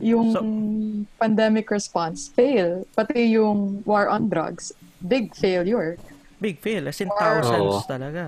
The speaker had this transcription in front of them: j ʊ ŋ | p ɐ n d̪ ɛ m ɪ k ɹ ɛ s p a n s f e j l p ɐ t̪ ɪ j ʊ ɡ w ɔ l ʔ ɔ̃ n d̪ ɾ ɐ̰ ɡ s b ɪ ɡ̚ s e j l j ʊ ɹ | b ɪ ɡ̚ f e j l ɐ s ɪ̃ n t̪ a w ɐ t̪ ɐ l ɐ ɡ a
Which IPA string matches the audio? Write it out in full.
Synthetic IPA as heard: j ʊ ŋ | p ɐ n d̪ ɛ m ɪ k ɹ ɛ s p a n s f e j l p ɐ t̪ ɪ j ʊ ŋ w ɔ ɹ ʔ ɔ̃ n d̪ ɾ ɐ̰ ɡ s b ɪ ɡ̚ f e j l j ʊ ɹ | b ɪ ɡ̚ f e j l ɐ s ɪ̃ n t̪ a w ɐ t̪ ɐ l ɐ ɡ a